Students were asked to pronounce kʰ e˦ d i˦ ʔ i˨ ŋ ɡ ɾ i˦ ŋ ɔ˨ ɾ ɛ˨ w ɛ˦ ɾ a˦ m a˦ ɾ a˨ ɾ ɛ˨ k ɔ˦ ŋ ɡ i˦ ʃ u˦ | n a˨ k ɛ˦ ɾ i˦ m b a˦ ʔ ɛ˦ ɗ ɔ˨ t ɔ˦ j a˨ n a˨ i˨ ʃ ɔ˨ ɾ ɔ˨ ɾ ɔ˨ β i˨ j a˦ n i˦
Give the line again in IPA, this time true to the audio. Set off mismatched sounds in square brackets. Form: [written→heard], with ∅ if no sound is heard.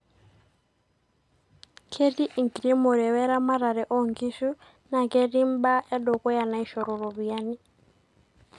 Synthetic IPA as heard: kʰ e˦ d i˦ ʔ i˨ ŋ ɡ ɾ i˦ [ŋ→m] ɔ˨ ɾ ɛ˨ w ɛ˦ ɾ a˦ m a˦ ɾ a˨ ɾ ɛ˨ [k→ʔ] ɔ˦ ŋ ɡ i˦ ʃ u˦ | n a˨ k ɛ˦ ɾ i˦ m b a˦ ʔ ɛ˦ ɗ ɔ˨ [t→k] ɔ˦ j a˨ n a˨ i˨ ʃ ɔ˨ ɾ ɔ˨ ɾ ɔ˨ β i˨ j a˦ n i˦

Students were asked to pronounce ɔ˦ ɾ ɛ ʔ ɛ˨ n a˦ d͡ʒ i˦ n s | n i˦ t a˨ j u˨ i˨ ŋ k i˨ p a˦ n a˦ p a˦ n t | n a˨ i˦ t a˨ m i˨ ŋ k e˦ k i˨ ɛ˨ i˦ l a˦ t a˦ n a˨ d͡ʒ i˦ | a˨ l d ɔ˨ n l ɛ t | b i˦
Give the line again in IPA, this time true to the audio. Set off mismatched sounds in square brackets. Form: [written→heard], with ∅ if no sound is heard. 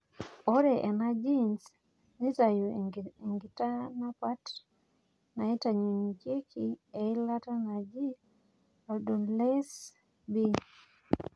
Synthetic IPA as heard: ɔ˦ ɾ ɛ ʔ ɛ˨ n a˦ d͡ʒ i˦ n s | n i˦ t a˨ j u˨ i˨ ŋ [k→ɡ] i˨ [p→t] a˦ n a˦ p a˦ [n→∅] t | n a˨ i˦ t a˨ [m→ɲ] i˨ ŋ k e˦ k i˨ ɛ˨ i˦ l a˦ t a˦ n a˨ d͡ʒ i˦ | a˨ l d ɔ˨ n l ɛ [t→s] | b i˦

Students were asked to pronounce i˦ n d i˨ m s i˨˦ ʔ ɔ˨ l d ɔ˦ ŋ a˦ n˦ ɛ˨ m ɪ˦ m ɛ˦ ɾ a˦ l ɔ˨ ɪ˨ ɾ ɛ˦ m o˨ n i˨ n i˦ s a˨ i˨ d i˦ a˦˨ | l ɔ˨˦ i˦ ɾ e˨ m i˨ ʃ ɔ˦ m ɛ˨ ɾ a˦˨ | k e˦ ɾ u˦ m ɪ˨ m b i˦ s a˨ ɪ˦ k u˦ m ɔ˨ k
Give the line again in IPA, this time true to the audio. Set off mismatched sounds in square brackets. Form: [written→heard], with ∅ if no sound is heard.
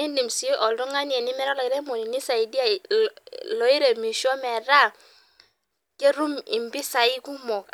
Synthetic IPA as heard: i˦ n d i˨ m s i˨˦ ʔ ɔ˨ l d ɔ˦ ŋ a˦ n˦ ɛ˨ [m→n] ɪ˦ m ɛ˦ ɾ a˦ l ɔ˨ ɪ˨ ɾ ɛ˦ m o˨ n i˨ n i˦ s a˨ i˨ d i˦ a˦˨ | l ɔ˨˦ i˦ ɾ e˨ m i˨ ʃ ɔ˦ m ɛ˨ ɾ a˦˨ | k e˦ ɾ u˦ m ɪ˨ m b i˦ s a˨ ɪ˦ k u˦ m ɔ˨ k

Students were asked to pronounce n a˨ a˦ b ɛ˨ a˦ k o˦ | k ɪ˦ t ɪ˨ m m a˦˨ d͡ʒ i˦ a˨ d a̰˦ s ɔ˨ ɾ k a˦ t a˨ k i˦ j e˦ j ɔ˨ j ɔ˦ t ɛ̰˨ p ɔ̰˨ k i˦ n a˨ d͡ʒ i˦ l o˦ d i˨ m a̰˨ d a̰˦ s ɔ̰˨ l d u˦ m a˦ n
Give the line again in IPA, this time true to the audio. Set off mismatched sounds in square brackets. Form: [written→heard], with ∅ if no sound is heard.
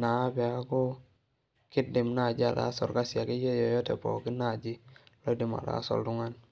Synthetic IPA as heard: n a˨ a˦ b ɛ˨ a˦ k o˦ | k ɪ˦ [t→d] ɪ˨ m [m→n] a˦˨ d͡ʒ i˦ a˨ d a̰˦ s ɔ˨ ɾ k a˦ [t→s] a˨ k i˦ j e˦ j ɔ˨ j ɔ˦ t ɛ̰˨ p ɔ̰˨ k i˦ n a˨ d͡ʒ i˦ l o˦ d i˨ m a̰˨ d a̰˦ s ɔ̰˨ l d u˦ [m→ŋ] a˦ n

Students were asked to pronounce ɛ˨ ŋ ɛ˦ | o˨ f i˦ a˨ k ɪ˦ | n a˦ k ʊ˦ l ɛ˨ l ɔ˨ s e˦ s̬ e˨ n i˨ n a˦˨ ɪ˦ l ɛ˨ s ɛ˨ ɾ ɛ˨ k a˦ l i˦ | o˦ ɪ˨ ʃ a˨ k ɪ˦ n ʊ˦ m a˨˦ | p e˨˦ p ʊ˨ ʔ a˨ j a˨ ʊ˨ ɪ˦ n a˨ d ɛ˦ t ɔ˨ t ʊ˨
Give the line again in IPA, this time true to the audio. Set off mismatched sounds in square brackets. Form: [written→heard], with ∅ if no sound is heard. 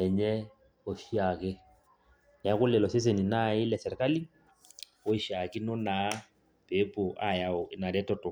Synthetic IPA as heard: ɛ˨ [ŋ→ɲ] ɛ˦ | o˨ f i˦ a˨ k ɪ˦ | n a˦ k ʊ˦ l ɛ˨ l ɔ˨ s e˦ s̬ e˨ n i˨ n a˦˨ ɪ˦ l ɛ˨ s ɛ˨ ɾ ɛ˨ k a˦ l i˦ | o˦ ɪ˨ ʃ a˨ k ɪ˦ n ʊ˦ [m→n] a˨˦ | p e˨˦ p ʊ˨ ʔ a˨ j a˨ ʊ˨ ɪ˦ n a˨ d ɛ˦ t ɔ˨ t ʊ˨

